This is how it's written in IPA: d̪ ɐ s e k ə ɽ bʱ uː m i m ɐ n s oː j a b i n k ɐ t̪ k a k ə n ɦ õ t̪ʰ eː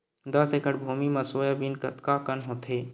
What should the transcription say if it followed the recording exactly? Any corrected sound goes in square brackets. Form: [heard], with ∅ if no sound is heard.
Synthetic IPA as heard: d̪ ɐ s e k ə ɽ bʱ uː m i m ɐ [∅] s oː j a b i n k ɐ t̪ k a k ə n ɦ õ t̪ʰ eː

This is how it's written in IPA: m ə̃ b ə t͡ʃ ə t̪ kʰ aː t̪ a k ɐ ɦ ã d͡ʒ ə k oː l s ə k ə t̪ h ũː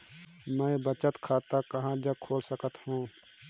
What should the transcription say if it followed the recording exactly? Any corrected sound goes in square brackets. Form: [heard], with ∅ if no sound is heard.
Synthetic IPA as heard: m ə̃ b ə t͡ʃ ə t̪ kʰ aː t̪ a k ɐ ɦ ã d͡ʒ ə [kʰ] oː l s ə k ə t̪ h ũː

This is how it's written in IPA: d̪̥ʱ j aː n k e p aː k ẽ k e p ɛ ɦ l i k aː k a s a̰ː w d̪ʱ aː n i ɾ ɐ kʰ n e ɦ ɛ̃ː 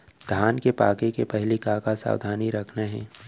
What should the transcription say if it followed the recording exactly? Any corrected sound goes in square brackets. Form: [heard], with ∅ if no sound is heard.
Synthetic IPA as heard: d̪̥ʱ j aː n k e p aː k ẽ k e p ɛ ɦ l i k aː k a s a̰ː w d̪ʱ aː n i ɾ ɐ kʰ n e ɦ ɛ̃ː

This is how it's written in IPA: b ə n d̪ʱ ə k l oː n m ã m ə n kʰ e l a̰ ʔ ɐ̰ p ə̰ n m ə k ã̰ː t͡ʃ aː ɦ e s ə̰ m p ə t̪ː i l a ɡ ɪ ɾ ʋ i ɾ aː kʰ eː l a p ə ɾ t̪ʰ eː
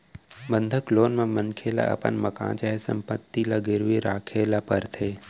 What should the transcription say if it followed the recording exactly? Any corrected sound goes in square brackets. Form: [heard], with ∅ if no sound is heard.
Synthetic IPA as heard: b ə n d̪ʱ ə k l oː n m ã m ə n kʰ e l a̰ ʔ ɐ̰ p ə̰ n m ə k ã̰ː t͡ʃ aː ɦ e s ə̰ m p ə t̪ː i l a ɡ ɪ ɾ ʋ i ɾ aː kʰ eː l a p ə ɾ t̪ʰ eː

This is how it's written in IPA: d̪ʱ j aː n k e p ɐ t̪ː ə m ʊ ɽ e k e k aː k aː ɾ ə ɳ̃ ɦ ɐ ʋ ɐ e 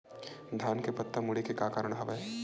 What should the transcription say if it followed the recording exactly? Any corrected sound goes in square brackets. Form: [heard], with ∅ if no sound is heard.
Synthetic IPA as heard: d̪ʱ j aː n k e p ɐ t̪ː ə m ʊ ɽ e k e k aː k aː ɾ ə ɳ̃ ɦ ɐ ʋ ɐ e

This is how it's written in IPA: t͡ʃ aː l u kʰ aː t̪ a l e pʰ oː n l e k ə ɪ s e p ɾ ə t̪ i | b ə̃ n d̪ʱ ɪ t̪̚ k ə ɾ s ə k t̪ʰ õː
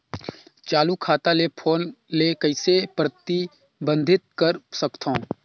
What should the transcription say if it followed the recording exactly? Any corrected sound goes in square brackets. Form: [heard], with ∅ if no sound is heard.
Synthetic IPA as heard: t͡ʃ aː l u kʰ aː t̪ a l e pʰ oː n l e k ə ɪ s e p ɾ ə t̪ i | b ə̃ n d̪ʱ ɪ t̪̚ k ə ɾ s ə k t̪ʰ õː

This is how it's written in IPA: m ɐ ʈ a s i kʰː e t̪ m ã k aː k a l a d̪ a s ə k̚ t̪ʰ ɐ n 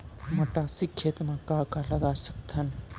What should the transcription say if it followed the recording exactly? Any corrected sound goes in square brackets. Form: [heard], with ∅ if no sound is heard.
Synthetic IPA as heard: m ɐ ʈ a s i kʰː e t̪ m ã k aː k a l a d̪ a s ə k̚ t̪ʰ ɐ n

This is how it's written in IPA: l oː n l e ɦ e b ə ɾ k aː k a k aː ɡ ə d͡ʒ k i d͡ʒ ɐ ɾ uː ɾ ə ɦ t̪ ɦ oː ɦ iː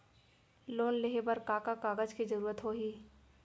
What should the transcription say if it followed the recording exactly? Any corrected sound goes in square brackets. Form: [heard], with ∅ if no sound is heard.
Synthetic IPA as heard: l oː n l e ɦ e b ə ɾ k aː k a k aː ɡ ə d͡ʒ k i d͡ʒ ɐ ɾ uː ɾ ə [∅] t̪ ɦ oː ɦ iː

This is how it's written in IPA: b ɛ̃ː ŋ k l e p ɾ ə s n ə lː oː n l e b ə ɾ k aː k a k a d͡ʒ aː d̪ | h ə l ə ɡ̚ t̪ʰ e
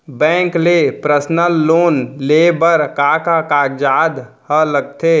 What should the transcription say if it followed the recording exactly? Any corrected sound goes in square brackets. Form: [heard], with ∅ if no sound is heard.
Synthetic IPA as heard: b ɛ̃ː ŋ k l e p ɾ ə s n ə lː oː n l e b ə ɾ k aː k a k a d͡ʒ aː d̪ | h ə l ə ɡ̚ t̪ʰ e

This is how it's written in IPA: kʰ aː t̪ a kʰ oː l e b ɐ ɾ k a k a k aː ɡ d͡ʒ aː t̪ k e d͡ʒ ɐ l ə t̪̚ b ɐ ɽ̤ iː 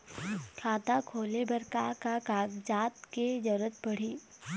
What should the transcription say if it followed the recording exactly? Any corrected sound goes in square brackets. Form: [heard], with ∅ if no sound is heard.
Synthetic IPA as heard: kʰ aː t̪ a kʰ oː l e b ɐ ɾ k a k a k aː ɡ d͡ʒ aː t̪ k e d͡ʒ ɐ [ɾ] ə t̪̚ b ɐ ɽ̤ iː

